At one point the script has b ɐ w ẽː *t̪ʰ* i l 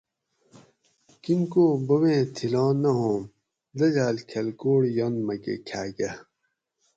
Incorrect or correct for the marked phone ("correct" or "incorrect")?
correct